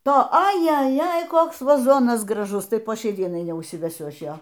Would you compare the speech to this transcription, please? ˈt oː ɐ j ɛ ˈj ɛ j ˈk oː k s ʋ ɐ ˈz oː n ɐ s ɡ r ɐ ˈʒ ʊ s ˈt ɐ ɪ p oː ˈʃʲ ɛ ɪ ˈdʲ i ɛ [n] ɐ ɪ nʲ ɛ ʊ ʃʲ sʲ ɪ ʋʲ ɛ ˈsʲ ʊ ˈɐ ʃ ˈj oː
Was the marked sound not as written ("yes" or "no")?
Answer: no